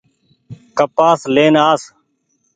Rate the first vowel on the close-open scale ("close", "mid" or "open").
mid